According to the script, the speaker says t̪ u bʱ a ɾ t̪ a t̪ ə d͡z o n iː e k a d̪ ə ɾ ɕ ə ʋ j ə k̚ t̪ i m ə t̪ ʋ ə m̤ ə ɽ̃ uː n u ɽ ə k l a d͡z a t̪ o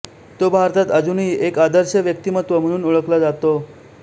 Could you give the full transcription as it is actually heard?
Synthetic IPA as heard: t̪ o bʱ a ɾ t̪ a t̪ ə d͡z u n iː e k a d̪ ə ɾ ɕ ə ʋ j ə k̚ t̪ i m ə t̪ ʋ ə m̤ ə ɽ̃ uː n u ɭ ə k l a d͡z a t̪ o